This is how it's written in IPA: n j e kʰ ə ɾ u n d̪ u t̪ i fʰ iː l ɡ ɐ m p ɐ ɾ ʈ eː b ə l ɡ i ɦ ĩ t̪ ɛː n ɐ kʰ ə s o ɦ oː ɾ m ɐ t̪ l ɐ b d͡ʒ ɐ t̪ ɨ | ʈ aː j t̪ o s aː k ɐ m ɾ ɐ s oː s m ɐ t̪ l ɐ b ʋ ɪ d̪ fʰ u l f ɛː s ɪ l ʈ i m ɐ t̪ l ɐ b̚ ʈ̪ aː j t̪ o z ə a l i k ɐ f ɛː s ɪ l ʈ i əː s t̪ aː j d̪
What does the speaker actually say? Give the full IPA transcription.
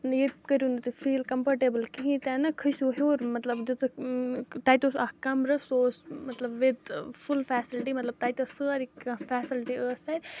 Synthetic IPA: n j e k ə ɾ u n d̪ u t̪ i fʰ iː l k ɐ m p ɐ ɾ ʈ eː b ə l k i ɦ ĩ t̪ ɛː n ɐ kʰ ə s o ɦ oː ɾ m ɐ t̪ l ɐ b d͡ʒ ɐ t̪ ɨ | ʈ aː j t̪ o s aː k ɐ m ɾ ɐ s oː s m ɐ t̪ l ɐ b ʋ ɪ d̪ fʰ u l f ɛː s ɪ l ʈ i m ɐ t̪ l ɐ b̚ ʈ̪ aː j t̪ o s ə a ɾ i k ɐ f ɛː s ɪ l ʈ i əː s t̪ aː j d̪

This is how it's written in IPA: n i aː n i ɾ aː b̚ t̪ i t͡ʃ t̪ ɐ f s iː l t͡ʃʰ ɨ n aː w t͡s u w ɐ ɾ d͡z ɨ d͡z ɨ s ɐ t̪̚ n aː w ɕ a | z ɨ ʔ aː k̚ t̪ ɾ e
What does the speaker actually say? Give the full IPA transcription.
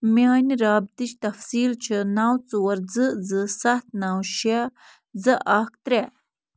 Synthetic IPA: m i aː n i ɾ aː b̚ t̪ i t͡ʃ t̪ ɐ f s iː l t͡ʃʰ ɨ n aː w t͡s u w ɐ ɾ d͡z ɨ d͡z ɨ s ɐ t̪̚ n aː w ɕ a | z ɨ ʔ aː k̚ t̪ ɾ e

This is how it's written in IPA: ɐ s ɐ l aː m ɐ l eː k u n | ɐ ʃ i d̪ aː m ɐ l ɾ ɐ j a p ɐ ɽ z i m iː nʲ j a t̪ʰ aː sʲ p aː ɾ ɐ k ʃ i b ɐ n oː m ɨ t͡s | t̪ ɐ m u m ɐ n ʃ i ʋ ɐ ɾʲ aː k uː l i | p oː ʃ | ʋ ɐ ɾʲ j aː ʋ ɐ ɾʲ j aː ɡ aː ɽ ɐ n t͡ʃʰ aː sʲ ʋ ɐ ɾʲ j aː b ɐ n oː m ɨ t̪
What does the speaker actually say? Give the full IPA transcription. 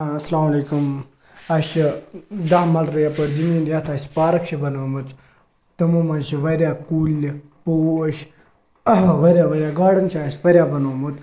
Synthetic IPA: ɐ s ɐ l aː m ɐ l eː k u m | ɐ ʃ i d̪ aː m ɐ l ɾ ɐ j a p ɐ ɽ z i m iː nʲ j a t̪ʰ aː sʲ p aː ɾ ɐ k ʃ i b ɐ n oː m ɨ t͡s | t̪ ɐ m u m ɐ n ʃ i ʋ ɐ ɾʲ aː k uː l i | p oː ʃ | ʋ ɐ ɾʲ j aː ʋ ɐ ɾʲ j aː ɡ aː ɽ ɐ n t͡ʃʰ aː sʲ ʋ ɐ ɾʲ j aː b ɐ n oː m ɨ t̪

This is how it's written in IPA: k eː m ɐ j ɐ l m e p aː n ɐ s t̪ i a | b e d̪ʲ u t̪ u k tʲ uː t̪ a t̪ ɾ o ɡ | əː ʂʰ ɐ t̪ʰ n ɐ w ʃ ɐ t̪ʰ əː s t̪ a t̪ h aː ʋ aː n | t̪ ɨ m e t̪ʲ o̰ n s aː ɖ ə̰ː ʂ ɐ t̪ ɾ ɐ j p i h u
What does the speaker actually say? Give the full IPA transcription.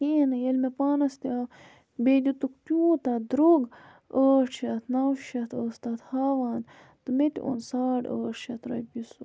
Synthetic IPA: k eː n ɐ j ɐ l m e p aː n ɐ s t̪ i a | b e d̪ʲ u t̪ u k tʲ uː t̪ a d̪ ɾ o ɡ | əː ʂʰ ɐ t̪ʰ n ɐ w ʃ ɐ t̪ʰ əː s t̪ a t̪ h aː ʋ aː n | t̪ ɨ m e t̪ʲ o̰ n s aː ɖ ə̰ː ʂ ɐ t̪ ɾ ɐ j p i s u

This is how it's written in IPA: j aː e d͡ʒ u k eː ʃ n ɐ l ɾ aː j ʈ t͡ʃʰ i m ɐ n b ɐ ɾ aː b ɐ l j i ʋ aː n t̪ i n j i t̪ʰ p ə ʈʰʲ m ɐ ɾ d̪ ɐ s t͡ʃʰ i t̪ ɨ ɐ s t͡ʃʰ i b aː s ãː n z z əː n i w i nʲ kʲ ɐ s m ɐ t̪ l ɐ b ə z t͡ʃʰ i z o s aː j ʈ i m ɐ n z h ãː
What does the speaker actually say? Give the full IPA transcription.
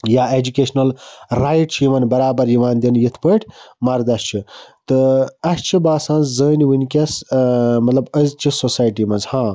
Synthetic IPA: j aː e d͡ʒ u k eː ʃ n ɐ l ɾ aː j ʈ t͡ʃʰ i m ɐ n b ɐ ɾ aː b ɐ ɾ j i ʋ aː n d̪ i n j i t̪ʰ p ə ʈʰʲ m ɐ ɾ d̪ ɐ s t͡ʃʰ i t̪ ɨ ɐ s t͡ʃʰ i b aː s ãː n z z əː n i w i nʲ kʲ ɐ s m ɐ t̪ l ɐ b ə z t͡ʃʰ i s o s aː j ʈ i m ɐ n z h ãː

